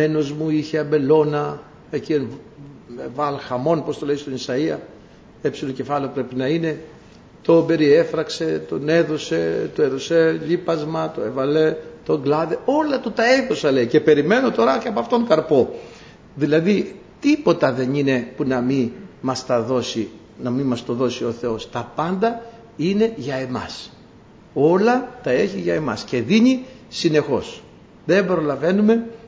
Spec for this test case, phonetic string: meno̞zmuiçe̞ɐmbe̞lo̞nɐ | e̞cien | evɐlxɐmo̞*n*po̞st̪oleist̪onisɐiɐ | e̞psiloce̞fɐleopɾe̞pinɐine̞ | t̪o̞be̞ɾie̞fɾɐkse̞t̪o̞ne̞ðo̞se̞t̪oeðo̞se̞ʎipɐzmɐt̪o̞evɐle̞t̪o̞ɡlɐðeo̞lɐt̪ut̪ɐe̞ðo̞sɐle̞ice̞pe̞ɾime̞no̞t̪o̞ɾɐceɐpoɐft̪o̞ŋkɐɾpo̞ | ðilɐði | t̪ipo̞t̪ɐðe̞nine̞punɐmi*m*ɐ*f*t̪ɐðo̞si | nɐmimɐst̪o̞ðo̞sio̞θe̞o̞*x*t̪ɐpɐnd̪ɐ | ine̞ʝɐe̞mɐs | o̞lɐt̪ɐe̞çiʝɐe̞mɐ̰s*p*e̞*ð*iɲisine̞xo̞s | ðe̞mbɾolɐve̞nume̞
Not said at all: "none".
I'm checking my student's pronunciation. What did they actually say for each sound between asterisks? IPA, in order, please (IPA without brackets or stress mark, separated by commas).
n, m, s, s, c, ð